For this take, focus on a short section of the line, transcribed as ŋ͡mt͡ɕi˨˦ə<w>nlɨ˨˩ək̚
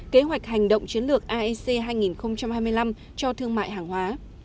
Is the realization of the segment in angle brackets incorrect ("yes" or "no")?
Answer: yes